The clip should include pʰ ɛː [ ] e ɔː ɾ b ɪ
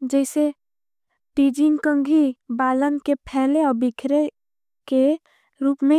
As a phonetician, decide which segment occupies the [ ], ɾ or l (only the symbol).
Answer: l